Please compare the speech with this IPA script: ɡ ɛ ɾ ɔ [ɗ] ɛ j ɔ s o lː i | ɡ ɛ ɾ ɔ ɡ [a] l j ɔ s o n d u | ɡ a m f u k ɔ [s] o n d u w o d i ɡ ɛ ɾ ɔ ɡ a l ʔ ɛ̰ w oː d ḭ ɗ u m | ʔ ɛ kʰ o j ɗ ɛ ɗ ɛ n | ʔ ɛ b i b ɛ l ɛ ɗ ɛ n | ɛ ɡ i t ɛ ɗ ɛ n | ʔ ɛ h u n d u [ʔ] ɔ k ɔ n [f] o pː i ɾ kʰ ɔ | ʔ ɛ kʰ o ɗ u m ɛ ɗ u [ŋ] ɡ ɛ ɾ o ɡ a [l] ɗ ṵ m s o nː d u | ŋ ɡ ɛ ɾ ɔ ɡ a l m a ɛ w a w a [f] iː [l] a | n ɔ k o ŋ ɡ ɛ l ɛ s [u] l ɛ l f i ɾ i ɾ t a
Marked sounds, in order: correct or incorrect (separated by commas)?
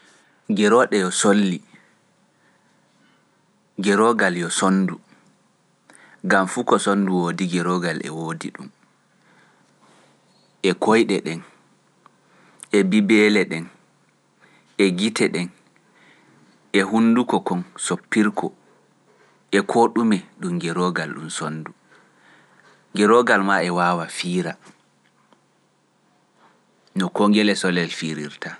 correct, correct, correct, incorrect, incorrect, incorrect, correct, correct, incorrect, incorrect